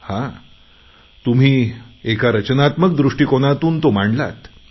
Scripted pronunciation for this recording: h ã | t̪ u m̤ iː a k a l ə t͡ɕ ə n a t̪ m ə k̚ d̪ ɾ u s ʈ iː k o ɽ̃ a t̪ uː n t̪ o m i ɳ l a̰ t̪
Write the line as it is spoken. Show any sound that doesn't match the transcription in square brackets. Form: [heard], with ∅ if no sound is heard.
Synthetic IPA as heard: h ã | t̪ u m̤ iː [e] k a [ɾ] ə t͡ɕ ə n a t̪ m ə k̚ d̪ ɾ u [ʂ] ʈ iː k o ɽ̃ a t̪ uː n t̪ o m [a] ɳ l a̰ t̪